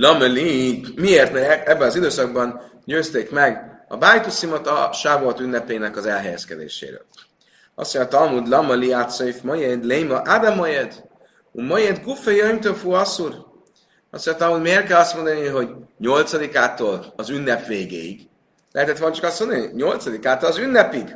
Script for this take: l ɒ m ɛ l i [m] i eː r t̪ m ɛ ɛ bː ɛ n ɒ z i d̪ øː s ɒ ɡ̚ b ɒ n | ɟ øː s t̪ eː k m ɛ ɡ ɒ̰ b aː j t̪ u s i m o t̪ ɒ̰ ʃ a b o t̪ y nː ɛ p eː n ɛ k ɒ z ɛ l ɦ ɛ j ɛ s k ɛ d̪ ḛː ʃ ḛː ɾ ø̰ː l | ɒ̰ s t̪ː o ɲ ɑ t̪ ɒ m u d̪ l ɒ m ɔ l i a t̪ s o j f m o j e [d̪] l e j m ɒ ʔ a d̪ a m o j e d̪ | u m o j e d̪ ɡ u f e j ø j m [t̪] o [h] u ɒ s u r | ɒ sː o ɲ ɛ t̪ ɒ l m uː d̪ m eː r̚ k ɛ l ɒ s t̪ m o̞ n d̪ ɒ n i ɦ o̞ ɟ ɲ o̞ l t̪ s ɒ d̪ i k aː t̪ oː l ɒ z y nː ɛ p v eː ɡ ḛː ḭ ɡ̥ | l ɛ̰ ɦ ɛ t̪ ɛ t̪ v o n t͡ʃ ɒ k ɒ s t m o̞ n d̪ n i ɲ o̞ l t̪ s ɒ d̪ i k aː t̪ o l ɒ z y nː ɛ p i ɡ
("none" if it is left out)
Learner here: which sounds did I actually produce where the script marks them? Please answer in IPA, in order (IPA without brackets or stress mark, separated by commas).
m, d̪, t̪, f